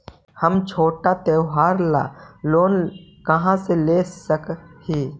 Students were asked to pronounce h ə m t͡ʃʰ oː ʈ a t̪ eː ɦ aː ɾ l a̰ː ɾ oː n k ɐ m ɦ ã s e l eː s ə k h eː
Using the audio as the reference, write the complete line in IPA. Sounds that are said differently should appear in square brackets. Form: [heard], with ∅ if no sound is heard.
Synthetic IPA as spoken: h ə m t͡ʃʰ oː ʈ a t̪ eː ɦ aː ɾ l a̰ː [l] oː n k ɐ [∅] ɦ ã s e l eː s ə k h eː